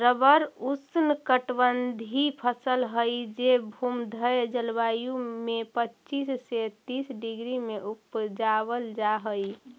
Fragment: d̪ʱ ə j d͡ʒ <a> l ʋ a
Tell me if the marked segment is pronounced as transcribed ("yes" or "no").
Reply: no